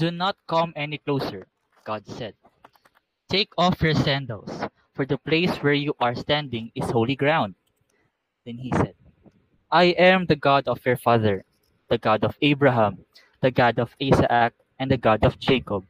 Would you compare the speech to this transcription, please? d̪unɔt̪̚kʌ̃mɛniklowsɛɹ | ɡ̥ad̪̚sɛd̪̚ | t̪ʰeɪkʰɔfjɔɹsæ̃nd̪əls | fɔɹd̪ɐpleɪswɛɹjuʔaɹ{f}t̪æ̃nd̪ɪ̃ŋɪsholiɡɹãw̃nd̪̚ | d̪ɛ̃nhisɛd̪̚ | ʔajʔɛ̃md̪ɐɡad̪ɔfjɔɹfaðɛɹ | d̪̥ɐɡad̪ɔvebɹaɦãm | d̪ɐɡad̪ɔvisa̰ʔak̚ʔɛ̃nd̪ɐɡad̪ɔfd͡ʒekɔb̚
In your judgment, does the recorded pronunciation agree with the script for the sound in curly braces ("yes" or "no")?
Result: no